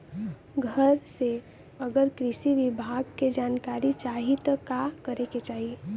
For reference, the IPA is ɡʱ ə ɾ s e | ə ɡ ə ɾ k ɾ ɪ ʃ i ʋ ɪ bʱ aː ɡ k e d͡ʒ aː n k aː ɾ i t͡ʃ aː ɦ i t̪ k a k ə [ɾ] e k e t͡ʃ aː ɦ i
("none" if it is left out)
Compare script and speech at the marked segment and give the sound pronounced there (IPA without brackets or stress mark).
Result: ɾ